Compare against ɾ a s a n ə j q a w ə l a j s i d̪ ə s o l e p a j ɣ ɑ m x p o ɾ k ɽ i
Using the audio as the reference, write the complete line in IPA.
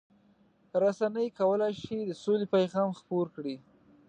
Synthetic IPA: ɾ a s a n ə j k a w ə l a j ʃ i d̪ ə s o l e p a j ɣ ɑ m x p o ɾ k ɽ i